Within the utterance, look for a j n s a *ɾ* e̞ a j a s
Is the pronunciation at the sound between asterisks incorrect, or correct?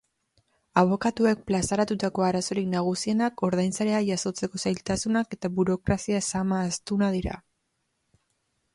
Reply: correct